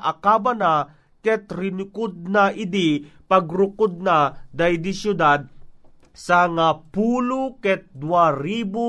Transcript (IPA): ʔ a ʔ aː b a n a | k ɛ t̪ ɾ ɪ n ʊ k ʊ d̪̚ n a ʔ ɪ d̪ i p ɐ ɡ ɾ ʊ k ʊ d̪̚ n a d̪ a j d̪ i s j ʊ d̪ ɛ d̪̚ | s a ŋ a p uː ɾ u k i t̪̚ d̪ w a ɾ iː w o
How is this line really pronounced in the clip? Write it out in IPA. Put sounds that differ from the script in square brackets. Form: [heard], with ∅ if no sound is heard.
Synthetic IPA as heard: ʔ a [k] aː b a n a | k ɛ t̪ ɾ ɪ n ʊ k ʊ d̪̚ n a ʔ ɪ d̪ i p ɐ ɡ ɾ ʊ k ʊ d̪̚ n a d̪ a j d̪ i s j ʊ d̪ [a] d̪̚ | s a ŋ a p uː [l] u k [ɛ] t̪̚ d̪ w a ɾ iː [b] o